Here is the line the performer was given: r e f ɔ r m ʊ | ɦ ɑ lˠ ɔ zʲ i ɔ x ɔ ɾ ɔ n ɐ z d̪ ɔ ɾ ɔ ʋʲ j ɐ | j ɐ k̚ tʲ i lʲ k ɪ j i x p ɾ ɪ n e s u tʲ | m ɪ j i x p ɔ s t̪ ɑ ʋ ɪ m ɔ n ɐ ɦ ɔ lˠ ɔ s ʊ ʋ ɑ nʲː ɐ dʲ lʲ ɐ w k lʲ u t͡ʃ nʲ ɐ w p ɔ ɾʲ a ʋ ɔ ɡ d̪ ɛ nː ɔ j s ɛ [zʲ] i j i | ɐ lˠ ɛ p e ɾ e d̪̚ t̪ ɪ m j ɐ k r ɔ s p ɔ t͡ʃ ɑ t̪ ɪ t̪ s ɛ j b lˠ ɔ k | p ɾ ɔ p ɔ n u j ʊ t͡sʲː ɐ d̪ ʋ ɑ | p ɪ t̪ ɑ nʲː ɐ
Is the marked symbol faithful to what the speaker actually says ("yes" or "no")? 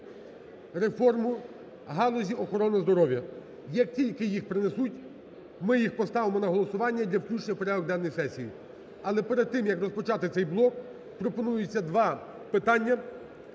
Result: no